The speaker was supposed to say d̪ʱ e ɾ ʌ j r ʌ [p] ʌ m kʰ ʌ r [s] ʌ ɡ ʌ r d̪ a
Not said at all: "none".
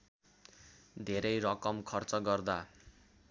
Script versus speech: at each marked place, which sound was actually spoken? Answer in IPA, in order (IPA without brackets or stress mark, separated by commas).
k, t͡s